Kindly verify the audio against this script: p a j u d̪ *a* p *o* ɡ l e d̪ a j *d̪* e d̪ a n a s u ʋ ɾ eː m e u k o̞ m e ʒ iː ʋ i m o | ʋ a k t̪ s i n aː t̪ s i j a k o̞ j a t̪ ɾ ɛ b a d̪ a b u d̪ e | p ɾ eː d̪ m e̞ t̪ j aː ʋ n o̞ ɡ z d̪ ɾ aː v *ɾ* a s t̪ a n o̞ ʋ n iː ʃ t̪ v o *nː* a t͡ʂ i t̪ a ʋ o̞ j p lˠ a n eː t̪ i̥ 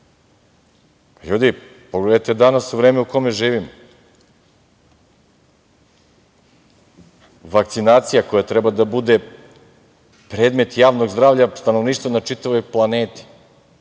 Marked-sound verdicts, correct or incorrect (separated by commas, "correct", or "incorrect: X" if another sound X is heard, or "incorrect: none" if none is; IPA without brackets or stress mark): incorrect: i, correct, incorrect: t̪, incorrect: ʎ, incorrect: n